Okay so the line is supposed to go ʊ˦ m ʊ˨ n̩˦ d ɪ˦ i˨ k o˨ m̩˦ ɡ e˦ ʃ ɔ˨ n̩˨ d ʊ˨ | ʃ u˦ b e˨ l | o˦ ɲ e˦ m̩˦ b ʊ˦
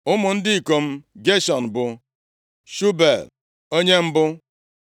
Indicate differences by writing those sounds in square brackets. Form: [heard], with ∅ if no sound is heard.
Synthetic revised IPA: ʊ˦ m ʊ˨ n̩˦ d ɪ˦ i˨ k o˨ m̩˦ ɡ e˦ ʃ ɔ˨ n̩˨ [b] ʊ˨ | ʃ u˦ b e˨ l | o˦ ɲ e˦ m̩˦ b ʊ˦